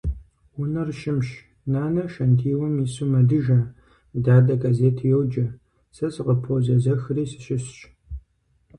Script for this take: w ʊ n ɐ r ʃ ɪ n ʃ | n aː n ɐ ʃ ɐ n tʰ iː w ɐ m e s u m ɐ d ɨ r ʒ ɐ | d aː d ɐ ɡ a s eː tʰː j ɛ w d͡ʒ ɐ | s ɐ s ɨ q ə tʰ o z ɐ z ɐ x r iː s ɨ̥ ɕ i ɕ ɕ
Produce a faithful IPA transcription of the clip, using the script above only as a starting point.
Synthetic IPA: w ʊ n ɐ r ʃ ɪ m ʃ | n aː n ɐ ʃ ɐ n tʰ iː w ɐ m i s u m ɐ d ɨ ʒ ɐ | d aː d ɐ ɡ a z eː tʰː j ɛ w d͡ʒ ɐ | s ɐ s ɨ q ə pʰ o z ɐ z ɐ x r iː s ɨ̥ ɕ ɪ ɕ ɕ